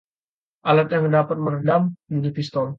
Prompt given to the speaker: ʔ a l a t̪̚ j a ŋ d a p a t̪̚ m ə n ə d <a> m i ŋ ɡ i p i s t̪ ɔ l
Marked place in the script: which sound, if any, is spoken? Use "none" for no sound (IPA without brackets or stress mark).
a